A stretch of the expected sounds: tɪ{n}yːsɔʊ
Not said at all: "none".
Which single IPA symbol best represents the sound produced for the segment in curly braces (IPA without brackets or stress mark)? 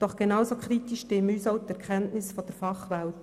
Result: m